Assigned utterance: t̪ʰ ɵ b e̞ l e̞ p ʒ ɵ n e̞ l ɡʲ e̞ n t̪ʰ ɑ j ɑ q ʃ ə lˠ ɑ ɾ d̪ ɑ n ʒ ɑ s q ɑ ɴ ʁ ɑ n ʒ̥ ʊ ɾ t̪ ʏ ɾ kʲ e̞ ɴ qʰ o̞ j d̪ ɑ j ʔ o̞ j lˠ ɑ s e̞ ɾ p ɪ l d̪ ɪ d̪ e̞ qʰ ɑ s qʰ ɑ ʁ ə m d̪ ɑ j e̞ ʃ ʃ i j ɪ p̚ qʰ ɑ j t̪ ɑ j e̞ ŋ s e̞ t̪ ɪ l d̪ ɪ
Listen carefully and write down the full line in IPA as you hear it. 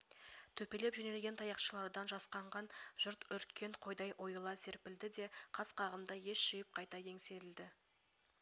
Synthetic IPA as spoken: t̪ʰ ɵ p e̞ l e̞ p ʒ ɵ n e̞ l ɡʲ e̞ n t̪ʰ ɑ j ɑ q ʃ ə lˠ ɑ ɾ d̪ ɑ n ʒ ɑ s q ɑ ɴ ʁ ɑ n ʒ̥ ʊ ɾ t̪ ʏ ɾ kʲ e̞ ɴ qʰ o̞ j d̪ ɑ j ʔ o̞ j lˠ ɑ s e̞ ɾ p ɪ l d̪ ɪ d̪ e̞ qʰ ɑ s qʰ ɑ ʁ ə m d̪ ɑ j e̞ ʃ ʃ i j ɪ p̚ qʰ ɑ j t̪ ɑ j e̞ ŋ s e̞ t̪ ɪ l d̪ ɪ